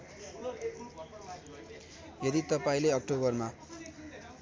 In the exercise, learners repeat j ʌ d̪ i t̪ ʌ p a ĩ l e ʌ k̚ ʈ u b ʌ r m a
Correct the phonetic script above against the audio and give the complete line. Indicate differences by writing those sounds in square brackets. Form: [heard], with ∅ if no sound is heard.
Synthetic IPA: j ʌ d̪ i t̪ ʌ p a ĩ l e ʌ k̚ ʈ [o] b ʌ r m a